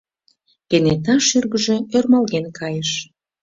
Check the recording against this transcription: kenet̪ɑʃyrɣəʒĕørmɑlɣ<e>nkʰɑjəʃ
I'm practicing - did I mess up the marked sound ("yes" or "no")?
no